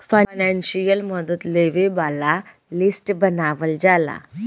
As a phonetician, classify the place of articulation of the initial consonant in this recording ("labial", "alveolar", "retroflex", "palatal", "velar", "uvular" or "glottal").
labial